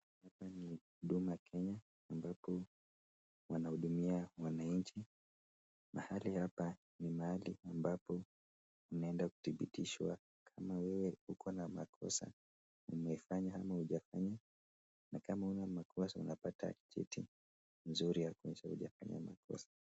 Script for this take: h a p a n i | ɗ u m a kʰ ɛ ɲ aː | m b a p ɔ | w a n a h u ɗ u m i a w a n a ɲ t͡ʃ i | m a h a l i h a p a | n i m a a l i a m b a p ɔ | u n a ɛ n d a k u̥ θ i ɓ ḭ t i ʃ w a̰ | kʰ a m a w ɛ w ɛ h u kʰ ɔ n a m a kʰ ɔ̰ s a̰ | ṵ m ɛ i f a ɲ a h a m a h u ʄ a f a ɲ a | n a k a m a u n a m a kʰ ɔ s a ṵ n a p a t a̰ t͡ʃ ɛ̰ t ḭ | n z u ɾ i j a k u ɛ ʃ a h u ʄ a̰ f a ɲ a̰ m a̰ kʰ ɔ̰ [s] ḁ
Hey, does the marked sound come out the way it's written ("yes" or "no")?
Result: yes